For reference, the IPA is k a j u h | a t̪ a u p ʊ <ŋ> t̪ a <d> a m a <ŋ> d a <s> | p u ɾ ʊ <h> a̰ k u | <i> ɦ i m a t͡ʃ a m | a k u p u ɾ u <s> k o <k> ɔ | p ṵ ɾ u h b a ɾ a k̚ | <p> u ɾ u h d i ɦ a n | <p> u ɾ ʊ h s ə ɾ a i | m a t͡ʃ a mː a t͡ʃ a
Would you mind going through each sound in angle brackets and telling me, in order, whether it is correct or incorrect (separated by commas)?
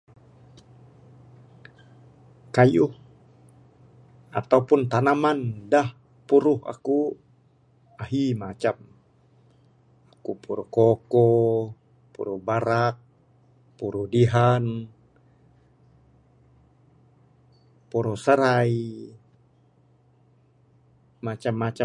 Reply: incorrect, incorrect, incorrect, incorrect, correct, incorrect, incorrect, correct, correct, correct